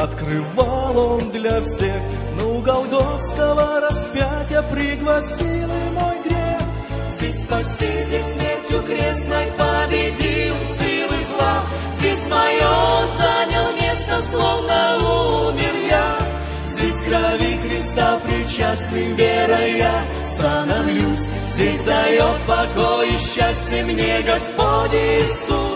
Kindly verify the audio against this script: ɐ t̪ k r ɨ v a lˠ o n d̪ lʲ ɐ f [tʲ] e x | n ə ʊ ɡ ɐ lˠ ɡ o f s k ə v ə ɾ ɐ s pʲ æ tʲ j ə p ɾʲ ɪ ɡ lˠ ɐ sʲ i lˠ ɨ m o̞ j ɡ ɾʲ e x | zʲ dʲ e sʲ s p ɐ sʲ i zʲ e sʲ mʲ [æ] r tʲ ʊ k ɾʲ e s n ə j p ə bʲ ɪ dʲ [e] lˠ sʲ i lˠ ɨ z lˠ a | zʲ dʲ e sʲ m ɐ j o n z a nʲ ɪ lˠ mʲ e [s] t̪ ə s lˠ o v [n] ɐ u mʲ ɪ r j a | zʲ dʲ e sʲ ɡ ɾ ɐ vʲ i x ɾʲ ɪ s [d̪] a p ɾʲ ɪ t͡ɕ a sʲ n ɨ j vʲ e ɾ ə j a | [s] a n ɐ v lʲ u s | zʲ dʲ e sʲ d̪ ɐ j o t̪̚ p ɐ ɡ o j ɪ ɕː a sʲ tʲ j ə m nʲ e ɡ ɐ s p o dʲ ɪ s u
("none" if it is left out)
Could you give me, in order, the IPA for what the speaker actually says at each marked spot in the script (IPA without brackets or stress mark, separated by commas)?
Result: sʲ, e, i, s, n, t̪, s